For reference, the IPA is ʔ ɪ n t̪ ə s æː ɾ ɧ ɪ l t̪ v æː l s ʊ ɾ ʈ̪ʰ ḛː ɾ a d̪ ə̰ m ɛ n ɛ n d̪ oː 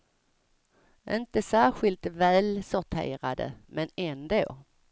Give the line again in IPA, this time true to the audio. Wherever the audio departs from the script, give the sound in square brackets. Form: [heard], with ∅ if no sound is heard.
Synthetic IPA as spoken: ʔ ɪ n t̪ ə s æː ɾ ɧ ɪ l t̪ v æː l s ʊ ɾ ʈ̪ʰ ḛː ɾ a d̪ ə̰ m ɛ n ɛ n d̪ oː